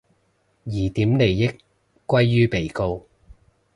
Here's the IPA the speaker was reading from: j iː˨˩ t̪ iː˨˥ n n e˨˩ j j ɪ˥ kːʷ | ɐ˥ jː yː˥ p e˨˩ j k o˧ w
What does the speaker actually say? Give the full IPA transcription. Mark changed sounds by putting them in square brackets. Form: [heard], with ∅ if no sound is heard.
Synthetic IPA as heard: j iː˨˩ t̪ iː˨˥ [m] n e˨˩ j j ɪ˥ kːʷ | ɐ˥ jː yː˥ p e˨˩ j k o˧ w